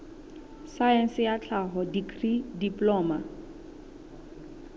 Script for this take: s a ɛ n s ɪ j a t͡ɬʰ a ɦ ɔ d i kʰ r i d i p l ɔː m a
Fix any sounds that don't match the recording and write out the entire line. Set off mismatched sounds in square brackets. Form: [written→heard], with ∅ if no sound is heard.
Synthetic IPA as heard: s a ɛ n s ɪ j a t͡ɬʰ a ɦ ɔ d i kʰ r i d i p l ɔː m a